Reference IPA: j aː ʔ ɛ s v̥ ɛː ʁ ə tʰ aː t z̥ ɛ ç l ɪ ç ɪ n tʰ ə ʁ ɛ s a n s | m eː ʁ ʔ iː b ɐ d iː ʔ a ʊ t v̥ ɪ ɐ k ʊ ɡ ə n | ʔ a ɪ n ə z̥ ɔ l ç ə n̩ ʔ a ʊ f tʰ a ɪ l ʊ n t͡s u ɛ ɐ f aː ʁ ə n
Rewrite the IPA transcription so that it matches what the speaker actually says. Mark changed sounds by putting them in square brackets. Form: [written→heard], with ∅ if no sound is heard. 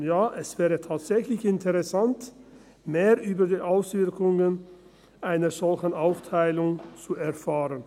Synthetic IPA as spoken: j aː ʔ ɛ s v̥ ɛː ʁ ə tʰ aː t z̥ ɛ ç l ɪ ç ɪ n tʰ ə ʁ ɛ s a n [s→t] | m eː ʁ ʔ [iː→yː] b ɐ d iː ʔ a ʊ [t→s] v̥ ɪ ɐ k ʊ [ɡ→ŋ] ə n | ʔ a ɪ n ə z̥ ɔ l ç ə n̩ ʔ a ʊ f tʰ a ɪ l ʊ [n→ŋ] t͡s u ɛ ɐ f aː ʁ ə n

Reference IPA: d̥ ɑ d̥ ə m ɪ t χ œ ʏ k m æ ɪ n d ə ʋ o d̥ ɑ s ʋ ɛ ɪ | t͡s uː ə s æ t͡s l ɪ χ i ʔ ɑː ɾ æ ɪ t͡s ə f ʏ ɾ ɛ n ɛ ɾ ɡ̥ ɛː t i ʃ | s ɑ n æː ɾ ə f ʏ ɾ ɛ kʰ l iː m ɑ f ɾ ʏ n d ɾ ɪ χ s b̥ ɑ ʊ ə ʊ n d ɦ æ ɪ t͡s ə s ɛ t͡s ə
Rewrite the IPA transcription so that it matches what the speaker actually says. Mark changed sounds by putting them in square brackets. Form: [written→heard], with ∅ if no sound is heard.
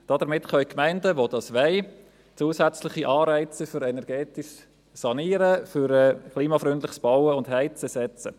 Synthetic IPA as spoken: d̥ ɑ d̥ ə m ɪ t χ œ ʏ k m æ ɪ n d ə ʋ o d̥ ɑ s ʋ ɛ ɪ | t͡s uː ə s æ t͡s l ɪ χ i ʔ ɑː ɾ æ ɪ t͡s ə f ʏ ɾ ɛ n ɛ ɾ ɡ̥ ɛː t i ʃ | s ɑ n [æː→iː] ɾ ə f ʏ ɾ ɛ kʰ l iː m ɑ f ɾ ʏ n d [ɾ→l] ɪ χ s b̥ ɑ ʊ ə ʊ n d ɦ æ ɪ t͡s ə s ɛ t͡s ə

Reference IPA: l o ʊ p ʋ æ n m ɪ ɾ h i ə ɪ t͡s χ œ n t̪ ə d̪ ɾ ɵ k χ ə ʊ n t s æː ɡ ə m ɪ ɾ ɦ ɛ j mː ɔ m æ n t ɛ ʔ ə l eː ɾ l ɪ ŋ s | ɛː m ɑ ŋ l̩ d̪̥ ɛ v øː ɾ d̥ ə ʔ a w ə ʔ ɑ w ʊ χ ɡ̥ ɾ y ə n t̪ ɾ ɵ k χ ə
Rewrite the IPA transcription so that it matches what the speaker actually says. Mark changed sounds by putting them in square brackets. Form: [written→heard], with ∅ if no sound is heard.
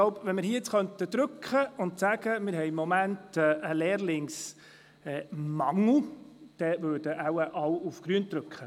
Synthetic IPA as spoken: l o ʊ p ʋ [æ→ɛ] n m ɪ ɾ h i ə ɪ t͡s χ œ n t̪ ə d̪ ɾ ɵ k χ ə ʊ n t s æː ɡ ə m ɪ ɾ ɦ ɛ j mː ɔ m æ n t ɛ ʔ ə l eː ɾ l ɪ ŋ s | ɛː m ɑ ŋ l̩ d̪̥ ɛ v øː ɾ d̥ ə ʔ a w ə ʔ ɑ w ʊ [χ→f] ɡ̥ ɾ y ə n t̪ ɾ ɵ k χ ə

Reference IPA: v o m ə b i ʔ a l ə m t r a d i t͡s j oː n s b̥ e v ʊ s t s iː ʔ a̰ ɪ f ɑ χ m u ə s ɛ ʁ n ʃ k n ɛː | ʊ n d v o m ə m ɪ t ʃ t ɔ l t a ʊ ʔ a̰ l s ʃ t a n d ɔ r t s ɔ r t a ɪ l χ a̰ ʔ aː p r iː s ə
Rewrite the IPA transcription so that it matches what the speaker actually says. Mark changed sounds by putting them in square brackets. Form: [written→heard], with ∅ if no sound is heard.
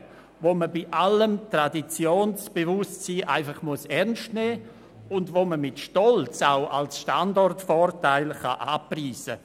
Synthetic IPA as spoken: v o m ə b i ʔ a l ə m t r a d i t͡s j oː n s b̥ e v ʊ s t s iː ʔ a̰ ɪ f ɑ χ m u ə s ɛ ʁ n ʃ [k→t] n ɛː | ʊ n d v o m ə m ɪ t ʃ t ɔ l [t→t͡s] a ʊ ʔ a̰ l s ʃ t a n d ɔ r t [s→f] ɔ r t a ɪ l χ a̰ ʔ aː p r iː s ə

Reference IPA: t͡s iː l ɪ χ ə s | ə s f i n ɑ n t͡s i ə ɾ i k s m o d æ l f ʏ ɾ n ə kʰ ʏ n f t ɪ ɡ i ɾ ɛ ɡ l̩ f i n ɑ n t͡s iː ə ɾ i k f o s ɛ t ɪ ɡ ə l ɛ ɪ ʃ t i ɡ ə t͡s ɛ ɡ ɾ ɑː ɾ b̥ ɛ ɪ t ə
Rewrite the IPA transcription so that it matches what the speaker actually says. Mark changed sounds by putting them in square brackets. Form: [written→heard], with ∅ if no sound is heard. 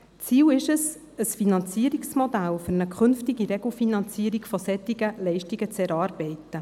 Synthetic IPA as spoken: t͡s iː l ɪ [χ→ʃ] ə s | ə s f i n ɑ n t͡s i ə ɾ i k s m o d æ l f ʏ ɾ n ə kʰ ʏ n f t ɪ ɡ i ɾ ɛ ɡ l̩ f i n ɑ n t͡s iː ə ɾ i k f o s ɛ t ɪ ɡ ə l ɛ ɪ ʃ t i ɡ ə t͡s ɛ [ɡ→∅] ɾ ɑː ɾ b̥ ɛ ɪ t ə

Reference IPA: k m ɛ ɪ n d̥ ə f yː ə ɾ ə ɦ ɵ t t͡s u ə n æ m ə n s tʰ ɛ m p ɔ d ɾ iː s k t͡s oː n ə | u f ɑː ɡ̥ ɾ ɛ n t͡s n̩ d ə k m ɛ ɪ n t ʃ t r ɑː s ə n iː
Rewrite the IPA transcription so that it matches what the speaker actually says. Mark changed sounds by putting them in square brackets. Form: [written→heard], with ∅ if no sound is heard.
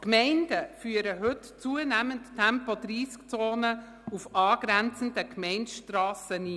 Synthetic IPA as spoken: k m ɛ ɪ n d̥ ə f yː ə ɾ ə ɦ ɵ t t͡s u ə n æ m ə n [s→t] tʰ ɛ m p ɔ d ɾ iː s k t͡s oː n ə | u f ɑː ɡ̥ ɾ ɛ n t͡s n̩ d ə k m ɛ ɪ n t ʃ t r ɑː s ə n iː

